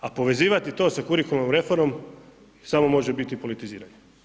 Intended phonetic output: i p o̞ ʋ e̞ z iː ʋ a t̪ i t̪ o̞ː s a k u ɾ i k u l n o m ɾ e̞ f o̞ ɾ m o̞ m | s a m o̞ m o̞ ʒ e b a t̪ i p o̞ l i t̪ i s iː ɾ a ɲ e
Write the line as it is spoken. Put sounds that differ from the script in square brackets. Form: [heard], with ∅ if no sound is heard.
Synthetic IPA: [a] p o̞ ʋ e̞ z iː ʋ a t̪ i t̪ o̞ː s a k u ɾ i k u l n o m ɾ e̞ f o̞ ɾ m o̞ m | s a m o̞ m o̞ ʒ e b [i] t̪ i p o̞ l i t̪ i [z] iː ɾ a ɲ e